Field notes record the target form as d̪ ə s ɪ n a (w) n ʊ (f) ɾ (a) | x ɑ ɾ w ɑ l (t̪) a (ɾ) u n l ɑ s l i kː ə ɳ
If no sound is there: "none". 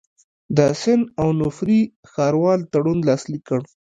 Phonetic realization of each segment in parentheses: w, f, i, t̪, ɽ

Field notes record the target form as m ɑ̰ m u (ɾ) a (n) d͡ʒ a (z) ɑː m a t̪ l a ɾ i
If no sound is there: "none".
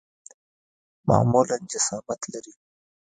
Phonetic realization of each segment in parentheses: l, n, s

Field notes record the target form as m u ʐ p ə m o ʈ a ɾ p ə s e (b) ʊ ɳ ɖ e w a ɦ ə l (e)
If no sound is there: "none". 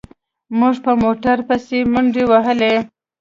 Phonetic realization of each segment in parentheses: m, e

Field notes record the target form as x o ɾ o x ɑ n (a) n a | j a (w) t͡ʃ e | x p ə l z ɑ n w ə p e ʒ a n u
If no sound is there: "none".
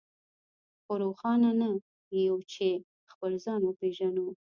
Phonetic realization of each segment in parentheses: a, w

